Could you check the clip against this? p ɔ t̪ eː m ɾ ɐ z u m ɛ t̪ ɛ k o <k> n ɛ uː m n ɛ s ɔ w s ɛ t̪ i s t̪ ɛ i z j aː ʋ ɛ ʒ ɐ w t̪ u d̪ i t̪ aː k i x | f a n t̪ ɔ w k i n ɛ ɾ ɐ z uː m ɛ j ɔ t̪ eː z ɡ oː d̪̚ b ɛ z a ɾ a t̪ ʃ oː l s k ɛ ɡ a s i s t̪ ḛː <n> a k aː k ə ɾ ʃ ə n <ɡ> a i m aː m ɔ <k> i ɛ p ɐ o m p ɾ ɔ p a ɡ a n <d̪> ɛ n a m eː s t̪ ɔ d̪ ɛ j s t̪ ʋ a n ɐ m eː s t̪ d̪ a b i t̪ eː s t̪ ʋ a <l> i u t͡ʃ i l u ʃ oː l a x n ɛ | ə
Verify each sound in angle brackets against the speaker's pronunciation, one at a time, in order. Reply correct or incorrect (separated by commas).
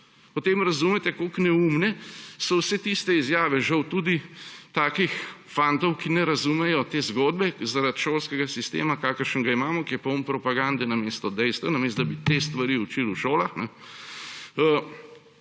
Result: correct, incorrect, correct, correct, correct, incorrect